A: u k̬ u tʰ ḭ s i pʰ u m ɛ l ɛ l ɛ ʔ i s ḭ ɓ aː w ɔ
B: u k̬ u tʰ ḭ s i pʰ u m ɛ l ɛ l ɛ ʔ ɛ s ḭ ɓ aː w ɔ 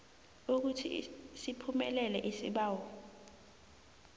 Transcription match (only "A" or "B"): A